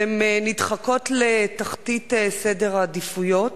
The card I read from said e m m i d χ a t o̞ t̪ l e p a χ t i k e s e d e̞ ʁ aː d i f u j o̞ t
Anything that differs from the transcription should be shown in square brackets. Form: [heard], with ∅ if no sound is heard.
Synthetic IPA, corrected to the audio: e m [n] i d χ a [k] o̞ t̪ l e [t] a χ t i [t] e s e d e̞ ʁ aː d i f u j o̞ t